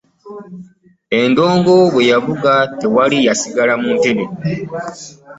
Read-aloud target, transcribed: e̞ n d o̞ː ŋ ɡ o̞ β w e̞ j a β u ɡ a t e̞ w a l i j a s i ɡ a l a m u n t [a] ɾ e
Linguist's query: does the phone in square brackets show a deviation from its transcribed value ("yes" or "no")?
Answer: yes